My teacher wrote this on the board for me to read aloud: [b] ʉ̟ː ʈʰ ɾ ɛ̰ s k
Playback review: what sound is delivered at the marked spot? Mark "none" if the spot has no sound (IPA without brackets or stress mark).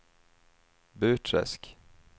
b